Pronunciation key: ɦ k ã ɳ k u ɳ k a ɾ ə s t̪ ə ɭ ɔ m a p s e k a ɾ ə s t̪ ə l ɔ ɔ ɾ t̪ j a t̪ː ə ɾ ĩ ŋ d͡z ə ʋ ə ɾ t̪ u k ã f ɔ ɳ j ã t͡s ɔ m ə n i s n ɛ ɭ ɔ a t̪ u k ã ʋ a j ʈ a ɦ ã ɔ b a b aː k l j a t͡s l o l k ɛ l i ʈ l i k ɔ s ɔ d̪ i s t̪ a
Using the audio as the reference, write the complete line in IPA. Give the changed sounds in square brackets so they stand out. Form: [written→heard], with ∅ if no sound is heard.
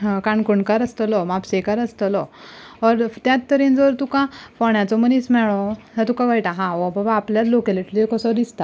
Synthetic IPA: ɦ k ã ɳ k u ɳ k a ɾ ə s t̪ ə [ɭ→l] ɔ m a p s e k a ɾ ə s t̪ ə l ɔ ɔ ɾ t̪ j a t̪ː ə ɾ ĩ [ŋ→n] d͡z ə ʋ ə ɾ t̪ u k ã f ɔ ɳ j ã t͡s ɔ m ə n i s [n→m] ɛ ɭ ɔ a t̪ u k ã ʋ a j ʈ a ɦ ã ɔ b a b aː [k→p] l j a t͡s l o [l→∅] k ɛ l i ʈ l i k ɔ s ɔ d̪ i s t̪ a